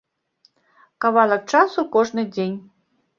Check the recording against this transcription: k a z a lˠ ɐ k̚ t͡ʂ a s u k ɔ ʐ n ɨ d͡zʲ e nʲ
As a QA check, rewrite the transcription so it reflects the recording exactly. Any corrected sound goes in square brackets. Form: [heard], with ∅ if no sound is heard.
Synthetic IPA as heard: k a [v] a lˠ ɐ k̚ t͡ʂ a s u k ɔ ʐ n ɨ d͡zʲ e nʲ